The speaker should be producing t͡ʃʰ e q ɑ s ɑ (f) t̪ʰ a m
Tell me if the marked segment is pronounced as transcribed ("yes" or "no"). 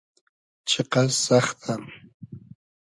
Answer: no